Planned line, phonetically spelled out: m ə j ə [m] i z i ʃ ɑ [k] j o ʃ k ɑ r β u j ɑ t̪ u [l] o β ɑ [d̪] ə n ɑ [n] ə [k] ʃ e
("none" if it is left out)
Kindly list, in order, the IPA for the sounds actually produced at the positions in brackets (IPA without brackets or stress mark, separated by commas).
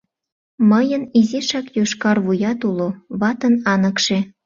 n, k, l, t̪, n, k